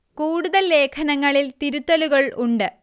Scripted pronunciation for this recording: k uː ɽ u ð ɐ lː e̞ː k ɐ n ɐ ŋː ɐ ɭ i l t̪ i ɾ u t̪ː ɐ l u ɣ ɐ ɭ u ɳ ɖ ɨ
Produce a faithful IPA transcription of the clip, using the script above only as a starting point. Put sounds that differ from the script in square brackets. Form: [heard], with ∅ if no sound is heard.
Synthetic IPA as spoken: k uː ɽ u ð ɐ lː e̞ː [kʰ] ɐ n ɐ ŋː ɐ ɭ i l t̪ i ɾ u t̪ː ɐ l u ɣ ɐ ɭ u ɳ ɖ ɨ

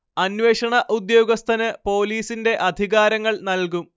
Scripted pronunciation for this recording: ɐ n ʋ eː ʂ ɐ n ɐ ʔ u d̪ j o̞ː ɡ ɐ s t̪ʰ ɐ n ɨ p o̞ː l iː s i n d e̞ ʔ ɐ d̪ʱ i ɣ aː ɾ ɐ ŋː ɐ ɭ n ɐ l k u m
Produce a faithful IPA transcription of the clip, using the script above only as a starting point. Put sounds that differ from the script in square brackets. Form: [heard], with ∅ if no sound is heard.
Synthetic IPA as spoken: ɐ n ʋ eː ʂ ɐ [ɳ] ɐ ʔ u d̪ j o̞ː ɡ ɐ s t̪ʰ ɐ n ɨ p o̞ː l iː s i n d e̞ ʔ ɐ d̪ʱ i ɣ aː ɾ ɐ ŋː ɐ ɭ n ɐ l k u m

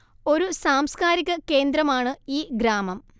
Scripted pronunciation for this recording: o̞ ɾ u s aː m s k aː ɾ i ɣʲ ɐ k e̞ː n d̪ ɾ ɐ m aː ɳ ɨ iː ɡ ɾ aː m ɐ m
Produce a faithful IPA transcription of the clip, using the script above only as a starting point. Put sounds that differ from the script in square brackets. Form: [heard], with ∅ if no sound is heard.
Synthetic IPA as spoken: o̞ ɾ u s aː m s k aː ɾ i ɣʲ ɐ k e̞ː n d̪ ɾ ɐ m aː ɳ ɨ iː ɡ ɾ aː m ɐ m

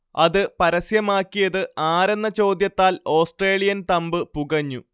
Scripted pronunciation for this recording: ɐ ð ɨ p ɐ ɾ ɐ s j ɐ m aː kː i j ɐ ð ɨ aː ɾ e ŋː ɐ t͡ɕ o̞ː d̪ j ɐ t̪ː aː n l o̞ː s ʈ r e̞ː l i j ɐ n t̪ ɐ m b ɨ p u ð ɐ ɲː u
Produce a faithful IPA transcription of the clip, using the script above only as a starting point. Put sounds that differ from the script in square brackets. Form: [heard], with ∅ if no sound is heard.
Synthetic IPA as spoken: ɐ ð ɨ p ɐ ɾ ɐ s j ɐ m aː kː i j ɐ ð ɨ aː ɾ e [nː] ɐ t͡ɕ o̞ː d̪ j ɐ t̪ː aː [∅] l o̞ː s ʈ r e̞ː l i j ɐ n t̪ ɐ m b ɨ p u [ɣ] ɐ ɲː u

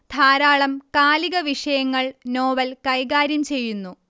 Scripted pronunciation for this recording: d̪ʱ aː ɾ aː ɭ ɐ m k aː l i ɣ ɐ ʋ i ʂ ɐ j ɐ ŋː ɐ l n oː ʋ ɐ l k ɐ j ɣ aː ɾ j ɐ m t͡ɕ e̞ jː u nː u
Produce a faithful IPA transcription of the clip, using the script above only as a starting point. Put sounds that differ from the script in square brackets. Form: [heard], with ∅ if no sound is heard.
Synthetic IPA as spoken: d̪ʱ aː ɾ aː ɭ ɐ m k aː l i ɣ ɐ ʋ i ʂ ɐ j ɐ ŋː ɐ [ɭ] n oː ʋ ɐ l k ɐ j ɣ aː ɾ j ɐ m t͡ɕ e̞ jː u nː u

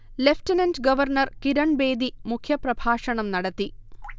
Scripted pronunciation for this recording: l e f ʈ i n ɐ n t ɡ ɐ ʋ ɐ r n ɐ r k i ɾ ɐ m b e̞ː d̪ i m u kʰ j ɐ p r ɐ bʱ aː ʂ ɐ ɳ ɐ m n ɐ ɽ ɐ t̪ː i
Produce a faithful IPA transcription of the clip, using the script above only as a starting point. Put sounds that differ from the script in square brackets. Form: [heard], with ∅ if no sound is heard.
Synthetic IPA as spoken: l e f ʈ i n ɐ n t ɡ ɐ ʋ ɐ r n ɐ r k i ɾ ɐ [ɳ] b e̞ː d̪ i m u kʰ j ɐ p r ɐ bʱ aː ʂ ɐ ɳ ɐ m n ɐ ɽ ɐ t̪ː i

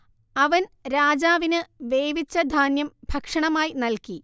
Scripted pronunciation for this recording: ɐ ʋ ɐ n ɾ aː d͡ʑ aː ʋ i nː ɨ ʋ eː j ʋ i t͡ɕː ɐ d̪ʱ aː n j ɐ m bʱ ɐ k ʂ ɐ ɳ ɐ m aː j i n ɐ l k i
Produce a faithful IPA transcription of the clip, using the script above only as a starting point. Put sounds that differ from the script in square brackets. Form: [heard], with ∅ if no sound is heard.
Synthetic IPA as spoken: ɐ ʋ ɐ n ɾ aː d͡ʑ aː ʋ i [n] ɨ ʋ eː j ʋ i t͡ɕː ɐ d̪ʱ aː n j ɐ m bʱ ɐ k ʂ ɐ ɳ ɐ m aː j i n ɐ l k i

